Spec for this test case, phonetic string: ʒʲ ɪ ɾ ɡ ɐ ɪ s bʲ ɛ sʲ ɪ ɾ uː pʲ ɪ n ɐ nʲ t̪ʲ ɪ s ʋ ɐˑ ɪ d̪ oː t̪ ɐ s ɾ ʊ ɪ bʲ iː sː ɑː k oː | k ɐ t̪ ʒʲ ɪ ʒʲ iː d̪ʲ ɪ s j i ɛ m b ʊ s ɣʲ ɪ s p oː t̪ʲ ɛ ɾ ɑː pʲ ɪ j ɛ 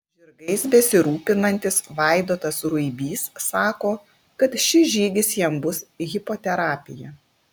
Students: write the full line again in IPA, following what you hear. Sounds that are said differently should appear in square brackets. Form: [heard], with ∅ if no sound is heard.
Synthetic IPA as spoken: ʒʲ ɪ ɾ ɡ ɐ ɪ s bʲ ɛ sʲ ɪ ɾ uː pʲ ɪ n ɐ nʲ t̪ʲ ɪ s ʋ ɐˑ ɪ d̪ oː t̪ ɐ s ɾ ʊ ɪ bʲ iː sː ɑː k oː | k ɐ t̪ [ʃʲ] ɪ ʒʲ iː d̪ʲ ɪ s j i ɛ m b ʊ s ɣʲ ɪ [∅] p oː t̪ʲ ɛ ɾ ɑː pʲ ɪ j ɛ

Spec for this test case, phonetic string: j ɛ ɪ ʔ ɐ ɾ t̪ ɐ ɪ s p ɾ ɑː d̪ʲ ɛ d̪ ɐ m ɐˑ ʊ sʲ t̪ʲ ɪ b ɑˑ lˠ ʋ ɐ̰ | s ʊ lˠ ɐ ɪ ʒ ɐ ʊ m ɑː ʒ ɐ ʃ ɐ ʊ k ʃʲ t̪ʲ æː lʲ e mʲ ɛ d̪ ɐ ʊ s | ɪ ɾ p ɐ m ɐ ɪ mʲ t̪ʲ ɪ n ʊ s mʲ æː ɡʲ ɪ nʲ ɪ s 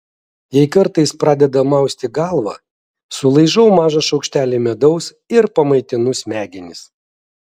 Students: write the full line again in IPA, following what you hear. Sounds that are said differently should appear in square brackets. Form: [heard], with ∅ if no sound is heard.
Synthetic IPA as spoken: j ɛ ɪ [k] ɐ ɾ t̪ ɐ ɪ s p ɾ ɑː d̪ʲ ɛ d̪ ɐ m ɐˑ ʊ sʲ t̪ʲ ɪ [ɡ] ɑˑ lˠ ʋ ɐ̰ | s ʊ lˠ ɐ ɪ ʒ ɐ ʊ m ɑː ʒ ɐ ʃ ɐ ʊ k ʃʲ t̪ʲ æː lʲ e mʲ ɛ d̪ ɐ ʊ s | ɪ ɾ p ɐ m ɐ ɪ [∅] t̪ʲ ɪ n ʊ s mʲ æː ɡʲ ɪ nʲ ɪ s

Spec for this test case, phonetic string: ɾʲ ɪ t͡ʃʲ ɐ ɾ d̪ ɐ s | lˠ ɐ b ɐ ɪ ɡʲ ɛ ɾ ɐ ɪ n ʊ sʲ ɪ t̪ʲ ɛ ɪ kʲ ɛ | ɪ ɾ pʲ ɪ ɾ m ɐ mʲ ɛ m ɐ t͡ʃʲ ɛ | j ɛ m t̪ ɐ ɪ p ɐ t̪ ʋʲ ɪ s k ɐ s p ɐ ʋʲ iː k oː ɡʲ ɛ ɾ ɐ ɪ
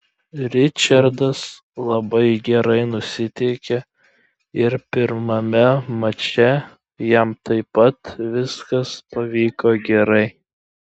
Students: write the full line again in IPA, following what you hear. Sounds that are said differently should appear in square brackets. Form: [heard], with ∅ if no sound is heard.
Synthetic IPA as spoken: ɾʲ ɪ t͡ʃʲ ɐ ɾ d̪ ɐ s | lˠ ɐ b ɐ ɪ ɡʲ ɛ ɾ ɐ ɪ n ʊ sʲ ɪ t̪ʲ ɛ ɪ kʲ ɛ | ɪ ɾ pʲ ɪ ɾ m ɐ mʲ ɛ m ɐ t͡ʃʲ ɛ | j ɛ m t̪ ɐ ɪ p ɐ t̪ ʋʲ ɪ s k ɐ s p ɐ ʋʲ iː k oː ɡʲ ɛ ɾ ɐ ɪ

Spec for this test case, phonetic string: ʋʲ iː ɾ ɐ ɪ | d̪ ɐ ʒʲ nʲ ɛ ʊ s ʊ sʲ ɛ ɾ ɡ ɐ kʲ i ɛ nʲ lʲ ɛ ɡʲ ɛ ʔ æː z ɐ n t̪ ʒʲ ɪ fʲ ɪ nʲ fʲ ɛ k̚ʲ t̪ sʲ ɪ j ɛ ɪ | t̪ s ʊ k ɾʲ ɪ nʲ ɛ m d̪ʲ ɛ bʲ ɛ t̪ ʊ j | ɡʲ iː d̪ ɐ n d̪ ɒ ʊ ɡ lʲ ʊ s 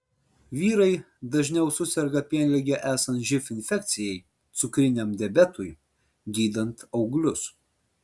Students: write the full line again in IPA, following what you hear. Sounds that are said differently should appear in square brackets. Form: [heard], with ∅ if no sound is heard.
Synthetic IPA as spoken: ʋʲ iː ɾ ɐ ɪ | d̪ ɐ ʒʲ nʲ ɛ ʊ s ʊ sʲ ɛ ɾ ɡ ɐ [pʲ] i ɛ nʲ lʲ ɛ ɡʲ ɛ ʔ æː [s] ɐ n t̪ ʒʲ ɪ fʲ ɪ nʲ fʲ ɛ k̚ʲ t̪ sʲ ɪ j ɛ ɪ | t̪ s ʊ k ɾʲ ɪ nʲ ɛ m d̪ʲ ɛ bʲ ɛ t̪ ʊ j | ɡʲ iː d̪ ɐ n [t̪] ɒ ʊ ɡ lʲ ʊ s

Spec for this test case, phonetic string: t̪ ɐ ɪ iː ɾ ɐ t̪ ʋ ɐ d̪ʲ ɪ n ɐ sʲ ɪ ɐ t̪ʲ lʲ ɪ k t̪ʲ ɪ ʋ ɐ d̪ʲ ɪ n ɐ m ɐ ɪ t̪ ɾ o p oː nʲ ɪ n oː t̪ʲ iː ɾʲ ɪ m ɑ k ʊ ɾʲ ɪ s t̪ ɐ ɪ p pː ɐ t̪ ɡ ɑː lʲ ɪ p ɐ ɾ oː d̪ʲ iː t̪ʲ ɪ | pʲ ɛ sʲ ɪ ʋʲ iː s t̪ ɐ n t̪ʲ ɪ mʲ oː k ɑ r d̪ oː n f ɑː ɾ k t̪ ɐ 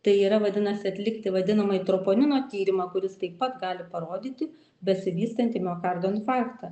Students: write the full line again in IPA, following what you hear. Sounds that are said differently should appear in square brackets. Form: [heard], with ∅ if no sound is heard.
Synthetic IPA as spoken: t̪ ɐ ɪ iː ɾ ɐ [∅] ʋ ɐ d̪ʲ ɪ n ɐ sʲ ɪ ɐ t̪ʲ lʲ ɪ k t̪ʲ ɪ ʋ ɐ d̪ʲ ɪ n ɐ m ɐ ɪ t̪ ɾ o p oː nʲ ɪ n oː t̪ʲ iː ɾʲ ɪ m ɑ k ʊ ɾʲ ɪ s t̪ ɐ ɪ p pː ɐ t̪ ɡ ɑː lʲ ɪ p ɐ ɾ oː d̪ʲ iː t̪ʲ ɪ | [bʲ] ɛ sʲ ɪ ʋʲ iː s t̪ ɐ n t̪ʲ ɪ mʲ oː k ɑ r d̪ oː n f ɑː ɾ k t̪ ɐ

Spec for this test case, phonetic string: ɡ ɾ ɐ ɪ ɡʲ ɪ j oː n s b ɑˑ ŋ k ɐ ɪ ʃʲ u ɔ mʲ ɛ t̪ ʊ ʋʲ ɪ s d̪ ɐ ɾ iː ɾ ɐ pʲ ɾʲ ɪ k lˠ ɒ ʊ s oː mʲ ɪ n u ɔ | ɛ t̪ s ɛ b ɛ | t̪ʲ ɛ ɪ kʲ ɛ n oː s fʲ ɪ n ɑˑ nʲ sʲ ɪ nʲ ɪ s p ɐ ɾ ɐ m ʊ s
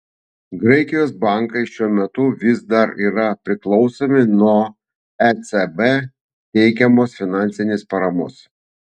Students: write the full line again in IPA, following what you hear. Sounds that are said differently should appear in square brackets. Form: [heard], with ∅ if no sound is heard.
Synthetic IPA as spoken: ɡ ɾ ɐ ɪ [kʲ] ɪ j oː [∅] s b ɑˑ ŋ k ɐ ɪ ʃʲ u ɔ mʲ ɛ t̪ ʊ ʋʲ ɪ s d̪ ɐ ɾ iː ɾ ɐ pʲ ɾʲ ɪ k lˠ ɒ ʊ s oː mʲ ɪ n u ɔ | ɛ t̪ s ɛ b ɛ | t̪ʲ ɛ ɪ kʲ ɛ [m] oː s fʲ ɪ n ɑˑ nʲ sʲ ɪ nʲ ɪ s p ɐ ɾ ɐ m ʊ s

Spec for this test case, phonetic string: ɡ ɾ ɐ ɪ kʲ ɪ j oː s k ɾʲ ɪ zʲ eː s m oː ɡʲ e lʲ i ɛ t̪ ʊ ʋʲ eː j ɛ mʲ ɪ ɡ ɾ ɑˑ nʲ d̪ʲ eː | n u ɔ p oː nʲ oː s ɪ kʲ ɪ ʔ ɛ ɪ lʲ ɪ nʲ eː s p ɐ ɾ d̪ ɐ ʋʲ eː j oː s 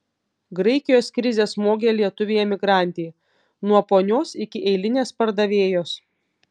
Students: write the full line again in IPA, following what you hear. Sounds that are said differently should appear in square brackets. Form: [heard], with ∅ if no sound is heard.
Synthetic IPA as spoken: ɡ ɾ ɐ ɪ kʲ ɪ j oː s k ɾʲ ɪ zʲ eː s m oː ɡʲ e lʲ i ɛ t̪ ʊ ʋʲ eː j ɛ mʲ ɪ ɡ ɾ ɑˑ nʲ [t̪ʲ] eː | n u ɔ p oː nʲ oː s ɪ kʲ ɪ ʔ ɛ ɪ lʲ ɪ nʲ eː s p ɐ ɾ d̪ ɐ ʋʲ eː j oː s

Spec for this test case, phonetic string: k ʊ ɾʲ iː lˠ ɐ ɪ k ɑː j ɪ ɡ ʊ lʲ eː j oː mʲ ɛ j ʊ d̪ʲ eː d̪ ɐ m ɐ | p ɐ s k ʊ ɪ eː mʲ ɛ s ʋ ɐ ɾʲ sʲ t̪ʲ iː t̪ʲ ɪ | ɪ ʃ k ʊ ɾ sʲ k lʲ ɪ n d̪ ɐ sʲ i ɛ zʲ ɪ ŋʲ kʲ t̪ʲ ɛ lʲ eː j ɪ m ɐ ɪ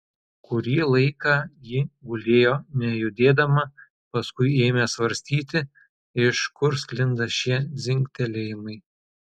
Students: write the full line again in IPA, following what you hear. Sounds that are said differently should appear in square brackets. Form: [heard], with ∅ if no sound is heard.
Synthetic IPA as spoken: k ʊ ɾʲ iː lˠ ɐ ɪ k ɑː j ɪ ɡ ʊ lʲ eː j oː [nʲ] ɛ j ʊ d̪ʲ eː d̪ ɐ m ɐ | p ɐ s k ʊ ɪ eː mʲ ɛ s ʋ ɐ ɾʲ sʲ t̪ʲ iː t̪ʲ ɪ | ɪ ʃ k ʊ ɾ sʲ k lʲ ɪ n d̪ ɐ [ʃʲ] i ɛ zʲ ɪ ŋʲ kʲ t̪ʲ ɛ lʲ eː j ɪ m ɐ ɪ

